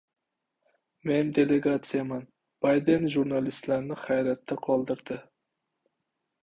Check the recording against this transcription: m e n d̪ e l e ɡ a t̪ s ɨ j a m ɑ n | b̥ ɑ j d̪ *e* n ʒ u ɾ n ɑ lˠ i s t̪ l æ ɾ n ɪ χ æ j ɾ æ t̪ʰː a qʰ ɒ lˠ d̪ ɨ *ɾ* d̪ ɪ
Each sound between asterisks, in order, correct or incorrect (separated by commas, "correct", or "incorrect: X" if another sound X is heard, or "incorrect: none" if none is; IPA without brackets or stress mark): correct, correct